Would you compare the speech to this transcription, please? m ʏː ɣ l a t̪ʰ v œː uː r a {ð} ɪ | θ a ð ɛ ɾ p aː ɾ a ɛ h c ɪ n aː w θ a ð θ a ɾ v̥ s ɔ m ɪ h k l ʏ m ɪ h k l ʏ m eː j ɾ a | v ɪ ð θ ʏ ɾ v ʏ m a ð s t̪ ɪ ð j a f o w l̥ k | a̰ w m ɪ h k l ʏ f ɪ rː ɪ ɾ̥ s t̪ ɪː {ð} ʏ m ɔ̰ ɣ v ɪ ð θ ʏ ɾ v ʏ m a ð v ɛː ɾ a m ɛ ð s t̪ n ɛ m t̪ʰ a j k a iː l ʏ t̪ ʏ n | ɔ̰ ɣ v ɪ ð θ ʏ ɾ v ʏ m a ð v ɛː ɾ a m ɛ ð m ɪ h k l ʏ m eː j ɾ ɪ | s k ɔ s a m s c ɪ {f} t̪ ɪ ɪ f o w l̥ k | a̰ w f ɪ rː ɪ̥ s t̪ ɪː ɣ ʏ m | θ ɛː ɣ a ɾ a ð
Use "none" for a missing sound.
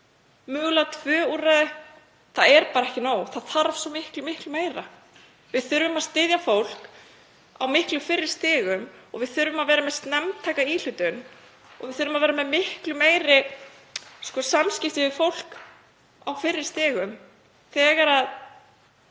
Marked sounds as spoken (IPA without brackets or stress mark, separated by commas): ð, ɣ, f